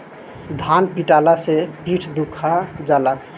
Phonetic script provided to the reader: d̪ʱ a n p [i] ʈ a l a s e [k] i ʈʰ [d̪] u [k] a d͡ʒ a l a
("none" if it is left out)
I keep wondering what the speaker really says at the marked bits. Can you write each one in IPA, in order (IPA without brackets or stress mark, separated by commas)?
i, p, d̪, kʰ